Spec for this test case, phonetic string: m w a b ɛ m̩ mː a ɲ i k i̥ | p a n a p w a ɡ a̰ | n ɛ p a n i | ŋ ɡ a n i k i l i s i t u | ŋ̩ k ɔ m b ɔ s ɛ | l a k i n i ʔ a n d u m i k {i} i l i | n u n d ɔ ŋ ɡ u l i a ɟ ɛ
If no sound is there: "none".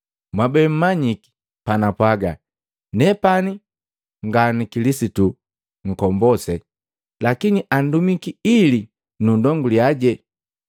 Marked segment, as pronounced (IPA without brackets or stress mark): i